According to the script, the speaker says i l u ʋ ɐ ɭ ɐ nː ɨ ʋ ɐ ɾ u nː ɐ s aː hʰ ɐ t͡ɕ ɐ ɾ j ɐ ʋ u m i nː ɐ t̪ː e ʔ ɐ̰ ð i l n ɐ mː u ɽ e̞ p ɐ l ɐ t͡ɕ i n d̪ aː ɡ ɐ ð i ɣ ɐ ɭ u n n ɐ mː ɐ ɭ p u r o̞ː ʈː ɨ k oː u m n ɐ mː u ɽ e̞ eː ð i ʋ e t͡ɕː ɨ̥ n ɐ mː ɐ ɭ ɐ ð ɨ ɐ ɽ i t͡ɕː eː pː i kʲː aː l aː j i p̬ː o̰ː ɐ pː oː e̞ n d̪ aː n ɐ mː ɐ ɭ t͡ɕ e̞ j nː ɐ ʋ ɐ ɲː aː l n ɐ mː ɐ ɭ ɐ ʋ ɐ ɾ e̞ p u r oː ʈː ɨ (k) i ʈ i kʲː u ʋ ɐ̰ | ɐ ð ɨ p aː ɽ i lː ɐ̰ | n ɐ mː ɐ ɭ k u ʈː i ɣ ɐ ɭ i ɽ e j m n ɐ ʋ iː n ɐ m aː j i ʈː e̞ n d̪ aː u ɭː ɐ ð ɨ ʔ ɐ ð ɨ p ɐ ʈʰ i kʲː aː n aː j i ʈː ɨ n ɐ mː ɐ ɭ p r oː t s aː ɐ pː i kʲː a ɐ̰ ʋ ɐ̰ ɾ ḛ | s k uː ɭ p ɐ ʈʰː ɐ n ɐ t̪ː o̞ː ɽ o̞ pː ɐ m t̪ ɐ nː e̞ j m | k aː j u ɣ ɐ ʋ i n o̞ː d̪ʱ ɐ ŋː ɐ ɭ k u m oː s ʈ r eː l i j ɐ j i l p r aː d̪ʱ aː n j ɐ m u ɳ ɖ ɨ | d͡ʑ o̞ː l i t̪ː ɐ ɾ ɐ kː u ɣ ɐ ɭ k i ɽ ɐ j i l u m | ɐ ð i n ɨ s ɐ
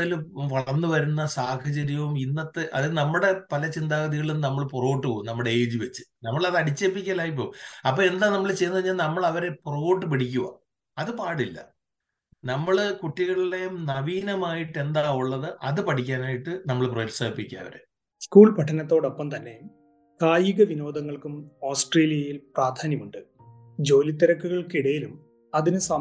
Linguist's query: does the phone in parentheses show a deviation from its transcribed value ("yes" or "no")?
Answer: yes